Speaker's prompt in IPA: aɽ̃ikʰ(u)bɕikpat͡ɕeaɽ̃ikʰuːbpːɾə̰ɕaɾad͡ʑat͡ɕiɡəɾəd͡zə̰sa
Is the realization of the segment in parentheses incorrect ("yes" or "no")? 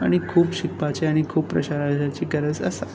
yes